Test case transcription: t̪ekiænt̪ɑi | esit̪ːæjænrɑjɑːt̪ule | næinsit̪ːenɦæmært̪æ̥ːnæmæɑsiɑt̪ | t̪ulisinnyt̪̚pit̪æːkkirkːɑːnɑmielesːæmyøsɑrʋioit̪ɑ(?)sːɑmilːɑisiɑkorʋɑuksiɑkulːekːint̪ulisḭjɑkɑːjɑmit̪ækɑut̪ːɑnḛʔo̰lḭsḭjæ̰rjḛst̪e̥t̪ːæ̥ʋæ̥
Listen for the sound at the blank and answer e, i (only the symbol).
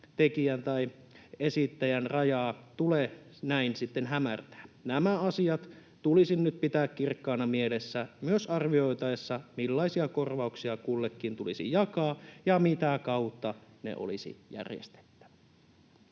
e